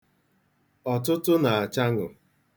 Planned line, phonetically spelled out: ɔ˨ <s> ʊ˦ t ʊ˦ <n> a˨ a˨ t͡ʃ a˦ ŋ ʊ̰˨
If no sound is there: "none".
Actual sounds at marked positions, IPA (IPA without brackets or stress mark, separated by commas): t, n